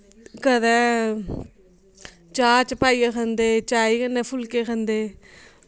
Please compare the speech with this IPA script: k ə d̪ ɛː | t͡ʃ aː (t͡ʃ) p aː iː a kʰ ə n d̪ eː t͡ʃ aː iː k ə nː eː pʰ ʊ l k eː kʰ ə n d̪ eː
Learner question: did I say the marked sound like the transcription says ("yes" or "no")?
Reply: yes